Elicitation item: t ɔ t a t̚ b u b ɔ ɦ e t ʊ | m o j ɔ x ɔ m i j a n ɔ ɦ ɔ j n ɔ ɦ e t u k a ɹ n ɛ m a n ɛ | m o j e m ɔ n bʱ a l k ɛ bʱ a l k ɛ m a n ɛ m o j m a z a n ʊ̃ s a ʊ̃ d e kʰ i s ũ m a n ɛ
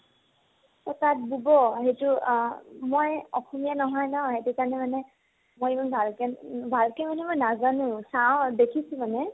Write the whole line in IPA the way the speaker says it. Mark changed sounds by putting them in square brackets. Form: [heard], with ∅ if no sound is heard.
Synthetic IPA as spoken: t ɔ t a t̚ b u b ɔ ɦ e t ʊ | m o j ɔ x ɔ m i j a n ɔ ɦ ɔ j n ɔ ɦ e t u k a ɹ n ɛ m a n ɛ | m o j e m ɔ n bʱ a l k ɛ bʱ a l k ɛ m a n ɛ m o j [n] a z a n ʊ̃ s a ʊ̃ d e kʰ i s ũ m a n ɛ